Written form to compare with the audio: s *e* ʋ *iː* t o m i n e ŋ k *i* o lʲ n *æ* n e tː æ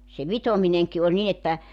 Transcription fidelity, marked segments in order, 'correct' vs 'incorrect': correct, incorrect: i, correct, incorrect: i

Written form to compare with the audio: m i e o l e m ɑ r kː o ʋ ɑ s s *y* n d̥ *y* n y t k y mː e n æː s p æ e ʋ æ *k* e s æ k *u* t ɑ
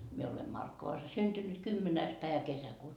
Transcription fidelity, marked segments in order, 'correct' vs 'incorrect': correct, correct, correct, incorrect: uː

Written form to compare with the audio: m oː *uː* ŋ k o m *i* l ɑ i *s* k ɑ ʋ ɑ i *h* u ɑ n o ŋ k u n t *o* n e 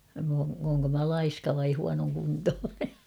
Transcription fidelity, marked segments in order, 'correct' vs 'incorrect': incorrect: oː, incorrect: æ, correct, correct, incorrect: oː

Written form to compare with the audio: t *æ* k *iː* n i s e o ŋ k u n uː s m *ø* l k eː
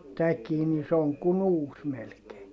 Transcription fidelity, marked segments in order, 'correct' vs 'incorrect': correct, correct, incorrect: e

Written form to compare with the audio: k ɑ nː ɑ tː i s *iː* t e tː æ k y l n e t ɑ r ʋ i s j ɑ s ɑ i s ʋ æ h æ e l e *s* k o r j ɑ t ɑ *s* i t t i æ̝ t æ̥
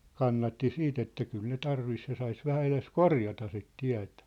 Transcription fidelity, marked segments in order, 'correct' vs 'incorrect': correct, correct, correct

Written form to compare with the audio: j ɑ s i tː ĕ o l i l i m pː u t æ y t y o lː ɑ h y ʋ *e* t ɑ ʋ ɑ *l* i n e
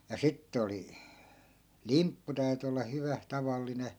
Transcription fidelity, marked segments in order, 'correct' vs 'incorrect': incorrect: æ, incorrect: lː

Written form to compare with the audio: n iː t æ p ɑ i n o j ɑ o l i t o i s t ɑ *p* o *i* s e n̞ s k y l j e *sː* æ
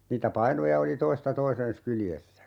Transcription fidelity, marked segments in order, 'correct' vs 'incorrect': incorrect: t, correct, correct

